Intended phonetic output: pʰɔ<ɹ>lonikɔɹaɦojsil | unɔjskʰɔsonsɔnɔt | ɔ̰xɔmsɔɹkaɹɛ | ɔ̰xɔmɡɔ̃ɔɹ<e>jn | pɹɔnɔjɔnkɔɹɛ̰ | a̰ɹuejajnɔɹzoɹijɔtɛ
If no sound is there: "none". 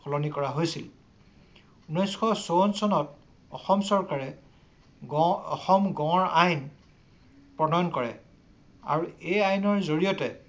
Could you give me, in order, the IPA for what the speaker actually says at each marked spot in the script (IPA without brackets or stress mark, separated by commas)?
none, a